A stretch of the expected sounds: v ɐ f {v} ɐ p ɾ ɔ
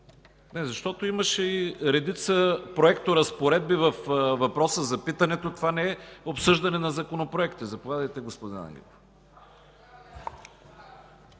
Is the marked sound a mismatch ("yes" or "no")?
no